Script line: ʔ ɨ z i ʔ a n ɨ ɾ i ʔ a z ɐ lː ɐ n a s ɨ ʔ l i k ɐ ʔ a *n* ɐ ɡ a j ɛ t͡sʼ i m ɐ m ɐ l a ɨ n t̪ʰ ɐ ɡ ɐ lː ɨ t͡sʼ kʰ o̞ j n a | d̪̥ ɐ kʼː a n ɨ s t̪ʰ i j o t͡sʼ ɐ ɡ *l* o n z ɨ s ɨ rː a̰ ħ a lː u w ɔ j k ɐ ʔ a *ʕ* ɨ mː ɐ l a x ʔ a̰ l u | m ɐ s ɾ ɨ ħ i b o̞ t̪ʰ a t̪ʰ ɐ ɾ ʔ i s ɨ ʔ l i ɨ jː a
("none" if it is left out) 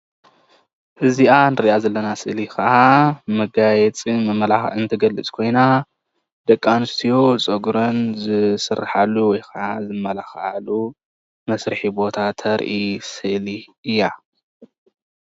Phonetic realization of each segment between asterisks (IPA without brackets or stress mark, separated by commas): m, ɾ, z